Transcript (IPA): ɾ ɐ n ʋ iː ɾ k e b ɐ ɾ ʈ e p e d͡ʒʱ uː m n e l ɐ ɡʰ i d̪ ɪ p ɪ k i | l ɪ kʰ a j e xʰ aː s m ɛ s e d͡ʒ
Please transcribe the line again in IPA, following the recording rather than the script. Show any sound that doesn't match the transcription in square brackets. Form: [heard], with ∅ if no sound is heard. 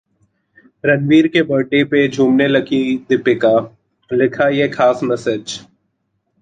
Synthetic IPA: ɾ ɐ n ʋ iː ɾ k e b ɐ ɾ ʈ e p e d͡ʒʱ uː m n e l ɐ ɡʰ i d̪ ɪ p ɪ k [a] | l ɪ kʰ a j e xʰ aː s m ɛ s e d͡ʒ